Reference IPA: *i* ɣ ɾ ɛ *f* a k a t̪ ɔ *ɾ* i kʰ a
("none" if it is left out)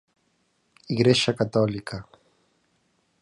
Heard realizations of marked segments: i, ʃ, l

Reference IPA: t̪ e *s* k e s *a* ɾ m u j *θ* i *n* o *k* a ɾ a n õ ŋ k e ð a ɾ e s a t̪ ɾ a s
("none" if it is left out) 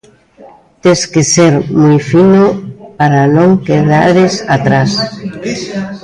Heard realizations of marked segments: s, e, f, n, p

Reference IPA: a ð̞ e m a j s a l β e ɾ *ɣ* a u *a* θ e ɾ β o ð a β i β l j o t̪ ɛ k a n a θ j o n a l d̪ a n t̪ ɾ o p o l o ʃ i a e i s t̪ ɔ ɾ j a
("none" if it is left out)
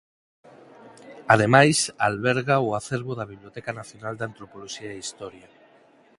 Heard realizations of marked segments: ɣ, a

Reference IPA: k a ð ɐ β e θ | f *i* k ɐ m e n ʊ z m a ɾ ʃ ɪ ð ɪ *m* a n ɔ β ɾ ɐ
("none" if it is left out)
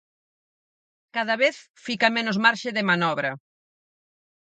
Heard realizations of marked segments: i, m

